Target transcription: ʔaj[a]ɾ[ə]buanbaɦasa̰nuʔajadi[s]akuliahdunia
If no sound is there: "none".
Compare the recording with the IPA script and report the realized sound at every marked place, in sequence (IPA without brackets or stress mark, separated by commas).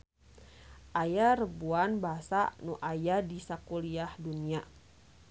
a, ə, s